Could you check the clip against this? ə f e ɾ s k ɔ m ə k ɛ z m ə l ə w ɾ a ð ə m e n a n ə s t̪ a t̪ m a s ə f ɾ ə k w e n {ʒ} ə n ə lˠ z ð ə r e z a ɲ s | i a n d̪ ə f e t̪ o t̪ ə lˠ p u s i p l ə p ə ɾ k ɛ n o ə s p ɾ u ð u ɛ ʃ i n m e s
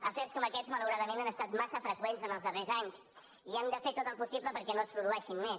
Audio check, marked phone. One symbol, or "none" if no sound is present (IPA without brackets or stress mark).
z